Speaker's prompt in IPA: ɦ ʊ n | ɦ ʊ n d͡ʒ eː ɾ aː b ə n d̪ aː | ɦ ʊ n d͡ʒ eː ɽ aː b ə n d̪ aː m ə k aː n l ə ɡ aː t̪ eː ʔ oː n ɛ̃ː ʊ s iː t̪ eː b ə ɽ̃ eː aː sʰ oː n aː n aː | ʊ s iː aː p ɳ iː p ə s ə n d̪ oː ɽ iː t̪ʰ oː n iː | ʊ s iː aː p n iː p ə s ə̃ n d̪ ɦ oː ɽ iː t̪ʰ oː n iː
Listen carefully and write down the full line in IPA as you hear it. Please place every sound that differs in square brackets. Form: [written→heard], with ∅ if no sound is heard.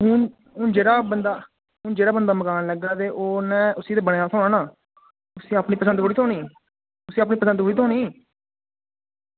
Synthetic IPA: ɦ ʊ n | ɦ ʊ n d͡ʒ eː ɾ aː b ə n d̪ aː | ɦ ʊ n d͡ʒ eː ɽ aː b ə n d̪ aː m ə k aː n l ə ɡ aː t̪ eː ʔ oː n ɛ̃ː ʊ s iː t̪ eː b ə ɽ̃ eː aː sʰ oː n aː n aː | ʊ s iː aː p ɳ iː p ə s ə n d̪ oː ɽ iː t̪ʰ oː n iː | ʊ s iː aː p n iː p ə s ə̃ n d̪ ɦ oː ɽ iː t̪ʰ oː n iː

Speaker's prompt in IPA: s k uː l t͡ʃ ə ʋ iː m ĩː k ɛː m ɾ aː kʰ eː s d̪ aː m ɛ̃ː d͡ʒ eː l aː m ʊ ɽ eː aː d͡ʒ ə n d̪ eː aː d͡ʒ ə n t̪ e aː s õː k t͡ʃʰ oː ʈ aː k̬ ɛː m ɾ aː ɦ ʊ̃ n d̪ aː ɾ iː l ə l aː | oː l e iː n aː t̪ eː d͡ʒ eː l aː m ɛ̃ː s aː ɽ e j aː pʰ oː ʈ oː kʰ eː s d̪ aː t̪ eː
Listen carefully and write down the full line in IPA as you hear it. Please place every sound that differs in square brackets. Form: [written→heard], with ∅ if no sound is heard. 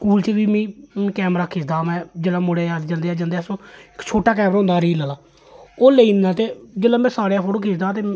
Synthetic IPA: s k uː l t͡ʃ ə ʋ iː m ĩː k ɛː m ɾ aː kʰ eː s d̪ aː m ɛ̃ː d͡ʒ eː l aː m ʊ ɽ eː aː d͡ʒ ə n d̪ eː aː d͡ʒ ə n [t̪→d̪] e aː s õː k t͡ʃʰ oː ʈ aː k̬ ɛː m ɾ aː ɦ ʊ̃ n d̪ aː ɾ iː l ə l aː | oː l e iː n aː t̪ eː d͡ʒ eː l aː m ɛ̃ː s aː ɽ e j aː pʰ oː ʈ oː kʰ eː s d̪ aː t̪ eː

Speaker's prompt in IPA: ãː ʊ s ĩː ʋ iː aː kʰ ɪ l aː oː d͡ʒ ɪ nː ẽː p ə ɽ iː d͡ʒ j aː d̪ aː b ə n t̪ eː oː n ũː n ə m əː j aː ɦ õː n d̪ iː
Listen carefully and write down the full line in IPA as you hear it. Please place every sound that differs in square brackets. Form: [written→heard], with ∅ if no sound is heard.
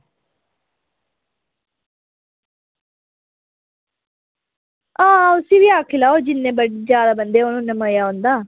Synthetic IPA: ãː ʊ s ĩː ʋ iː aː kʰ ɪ l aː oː d͡ʒ ɪ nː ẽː [p→b] ə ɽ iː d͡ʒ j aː d̪ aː b ə n [t̪→d̪] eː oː n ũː n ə m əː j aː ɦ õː n d̪ [iː→aː]

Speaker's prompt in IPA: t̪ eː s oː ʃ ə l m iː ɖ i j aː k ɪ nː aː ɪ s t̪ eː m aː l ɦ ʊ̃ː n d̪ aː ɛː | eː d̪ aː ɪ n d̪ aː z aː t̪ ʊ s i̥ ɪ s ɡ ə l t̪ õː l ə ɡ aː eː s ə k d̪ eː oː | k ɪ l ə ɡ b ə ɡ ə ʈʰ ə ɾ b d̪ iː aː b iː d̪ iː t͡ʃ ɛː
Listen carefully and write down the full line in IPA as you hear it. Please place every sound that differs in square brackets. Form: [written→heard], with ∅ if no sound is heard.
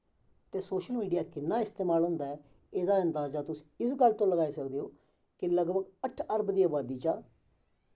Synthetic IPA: t̪ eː s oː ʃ ə l m iː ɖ i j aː k ɪ nː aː ɪ s t̪ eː m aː l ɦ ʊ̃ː n d̪ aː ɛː | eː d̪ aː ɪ n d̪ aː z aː t̪ ʊ s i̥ ɪ s ɡ ə l t̪ õː l ə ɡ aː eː s ə k d̪ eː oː | k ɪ l ə ɡ b ə ɡ ə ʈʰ ə ɾ b d̪ iː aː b [iː→aː] d̪ iː t͡ʃ [ɛː→aː]

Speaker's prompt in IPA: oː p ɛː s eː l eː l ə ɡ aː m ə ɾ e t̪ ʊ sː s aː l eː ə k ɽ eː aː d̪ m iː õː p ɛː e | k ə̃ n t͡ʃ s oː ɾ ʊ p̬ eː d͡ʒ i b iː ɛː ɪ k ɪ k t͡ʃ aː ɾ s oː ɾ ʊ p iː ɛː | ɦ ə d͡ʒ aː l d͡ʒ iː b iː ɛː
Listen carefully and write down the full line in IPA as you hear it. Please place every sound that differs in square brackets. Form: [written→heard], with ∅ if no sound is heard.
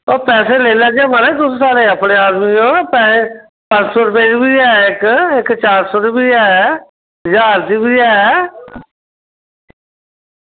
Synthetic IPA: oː p ɛː s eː l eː l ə ɡ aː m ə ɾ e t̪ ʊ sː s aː l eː ə [k→p] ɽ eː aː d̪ m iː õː p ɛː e | [k→p] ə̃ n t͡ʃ s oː ɾ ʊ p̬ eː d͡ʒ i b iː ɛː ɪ k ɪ k t͡ʃ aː ɾ s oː ɾ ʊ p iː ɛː | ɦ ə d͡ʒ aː [l→ɾ] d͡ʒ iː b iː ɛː

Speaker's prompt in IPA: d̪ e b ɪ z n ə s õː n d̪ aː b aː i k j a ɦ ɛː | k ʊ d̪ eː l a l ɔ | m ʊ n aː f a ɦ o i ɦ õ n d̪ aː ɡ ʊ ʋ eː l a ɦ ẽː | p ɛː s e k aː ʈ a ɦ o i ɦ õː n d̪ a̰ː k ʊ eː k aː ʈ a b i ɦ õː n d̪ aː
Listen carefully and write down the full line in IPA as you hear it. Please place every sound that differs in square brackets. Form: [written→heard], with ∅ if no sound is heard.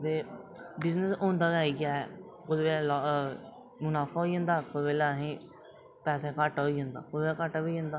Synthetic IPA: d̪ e b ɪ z n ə s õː n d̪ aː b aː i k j a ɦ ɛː | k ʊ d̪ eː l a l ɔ | m ʊ n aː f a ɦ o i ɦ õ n d̪ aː [ɡ→k] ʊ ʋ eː l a ɦ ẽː | p ɛː s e k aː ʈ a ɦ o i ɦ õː n d̪ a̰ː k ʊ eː k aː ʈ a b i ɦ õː n d̪ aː

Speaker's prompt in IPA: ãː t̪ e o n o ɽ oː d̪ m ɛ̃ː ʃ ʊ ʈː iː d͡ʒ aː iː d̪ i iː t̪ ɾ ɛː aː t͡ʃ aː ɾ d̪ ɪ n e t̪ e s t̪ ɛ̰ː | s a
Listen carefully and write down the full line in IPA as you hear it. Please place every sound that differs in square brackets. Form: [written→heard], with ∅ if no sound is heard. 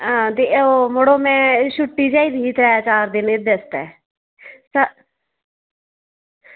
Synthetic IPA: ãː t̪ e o [n→m] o ɽ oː [d̪→∅] m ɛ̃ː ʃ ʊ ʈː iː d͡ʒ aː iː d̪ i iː t̪ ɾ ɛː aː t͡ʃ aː ɾ d̪ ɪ n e [t̪→d̪] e s t̪ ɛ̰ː | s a

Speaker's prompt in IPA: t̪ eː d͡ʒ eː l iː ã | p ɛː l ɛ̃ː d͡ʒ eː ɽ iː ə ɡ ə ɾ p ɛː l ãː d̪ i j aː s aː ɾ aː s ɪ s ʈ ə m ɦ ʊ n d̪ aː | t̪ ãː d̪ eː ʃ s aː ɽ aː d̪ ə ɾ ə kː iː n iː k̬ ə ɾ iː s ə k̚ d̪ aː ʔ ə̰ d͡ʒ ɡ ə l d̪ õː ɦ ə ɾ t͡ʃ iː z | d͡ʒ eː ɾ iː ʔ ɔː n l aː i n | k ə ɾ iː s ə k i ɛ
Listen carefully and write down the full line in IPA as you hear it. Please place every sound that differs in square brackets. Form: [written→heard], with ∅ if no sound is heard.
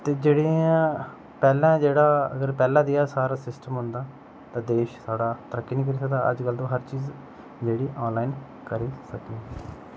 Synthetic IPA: t̪ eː d͡ʒ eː [l→ɽ] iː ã | p ɛː l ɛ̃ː d͡ʒ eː ɽ [iː→aː] ə ɡ ə ɾ p ɛː l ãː d̪ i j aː s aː ɾ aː s ɪ s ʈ ə m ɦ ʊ n d̪ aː | t̪ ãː d̪ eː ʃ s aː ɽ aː [d̪→t̪] ə ɾ ə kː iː n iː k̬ ə ɾ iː s ə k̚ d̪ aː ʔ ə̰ d͡ʒ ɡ ə l d̪ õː ɦ ə ɾ t͡ʃ iː z | d͡ʒ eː [ɾ→ɽ] iː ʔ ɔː n l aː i n | k ə ɾ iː s ə k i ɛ

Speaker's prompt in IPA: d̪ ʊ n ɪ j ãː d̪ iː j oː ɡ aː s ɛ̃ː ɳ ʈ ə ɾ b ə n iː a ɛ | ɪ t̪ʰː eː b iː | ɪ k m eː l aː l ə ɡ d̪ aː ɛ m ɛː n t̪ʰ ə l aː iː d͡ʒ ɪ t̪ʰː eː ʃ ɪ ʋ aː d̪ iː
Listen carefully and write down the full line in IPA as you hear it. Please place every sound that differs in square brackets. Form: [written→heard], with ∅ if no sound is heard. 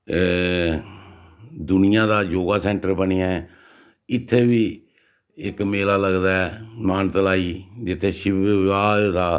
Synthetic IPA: d̪ ʊ n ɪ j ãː d̪ [iː→aː] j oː ɡ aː s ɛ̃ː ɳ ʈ ə ɾ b ə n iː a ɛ | ɪ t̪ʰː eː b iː | ɪ k m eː l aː l ə ɡ d̪ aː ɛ m [ɛː→aː] n [t̪ʰ→t̪] ə l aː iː d͡ʒ ɪ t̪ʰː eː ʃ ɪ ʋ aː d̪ [iː→aː]

